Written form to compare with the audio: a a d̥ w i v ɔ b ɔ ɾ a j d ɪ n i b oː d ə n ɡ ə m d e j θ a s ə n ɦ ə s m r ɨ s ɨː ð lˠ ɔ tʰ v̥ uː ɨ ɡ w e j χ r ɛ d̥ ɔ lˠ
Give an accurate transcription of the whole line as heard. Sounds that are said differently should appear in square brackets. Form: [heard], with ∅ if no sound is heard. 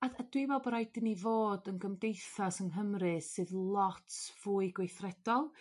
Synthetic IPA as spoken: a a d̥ w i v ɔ b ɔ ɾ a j d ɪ n i [v] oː d ə n ɡ ə m d e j θ a s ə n ɦ ə [∅] m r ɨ s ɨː ð lˠ ɔ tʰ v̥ uː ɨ ɡ w e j [θ] r ɛ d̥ ɔ lˠ